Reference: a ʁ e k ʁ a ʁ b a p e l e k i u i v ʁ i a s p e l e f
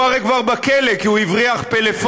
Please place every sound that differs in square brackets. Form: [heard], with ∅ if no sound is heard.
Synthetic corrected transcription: a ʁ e k [v] a ʁ b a [k] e l e k i u i v ʁ i a [χ] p e l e f